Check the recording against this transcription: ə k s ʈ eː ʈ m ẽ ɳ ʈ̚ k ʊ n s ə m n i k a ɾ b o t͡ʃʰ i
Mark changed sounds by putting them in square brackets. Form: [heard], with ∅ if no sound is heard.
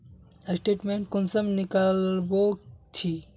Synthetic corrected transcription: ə [∅] s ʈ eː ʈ m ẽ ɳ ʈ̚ k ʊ n s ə m n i k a [l] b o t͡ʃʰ i